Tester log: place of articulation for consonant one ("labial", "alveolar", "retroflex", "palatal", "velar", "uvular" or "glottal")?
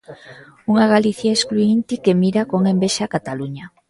velar